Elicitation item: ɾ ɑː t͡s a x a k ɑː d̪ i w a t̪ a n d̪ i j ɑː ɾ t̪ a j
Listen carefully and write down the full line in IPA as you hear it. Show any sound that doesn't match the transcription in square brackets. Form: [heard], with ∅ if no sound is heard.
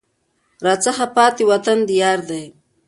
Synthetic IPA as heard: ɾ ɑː t͡s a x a [p] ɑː [t̪] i w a t̪ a n d̪ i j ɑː ɾ [d̪] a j